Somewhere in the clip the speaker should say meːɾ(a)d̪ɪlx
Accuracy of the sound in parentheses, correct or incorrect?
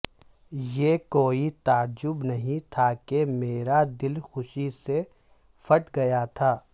correct